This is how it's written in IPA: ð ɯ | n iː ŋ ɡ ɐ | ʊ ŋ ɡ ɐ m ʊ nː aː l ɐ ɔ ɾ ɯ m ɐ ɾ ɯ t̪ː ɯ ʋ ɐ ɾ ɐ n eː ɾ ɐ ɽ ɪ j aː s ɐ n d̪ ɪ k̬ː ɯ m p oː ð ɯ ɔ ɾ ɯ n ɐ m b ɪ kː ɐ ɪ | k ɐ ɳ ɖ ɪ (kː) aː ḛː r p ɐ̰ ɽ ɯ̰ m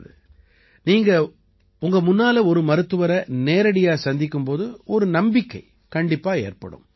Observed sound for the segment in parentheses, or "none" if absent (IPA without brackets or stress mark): pː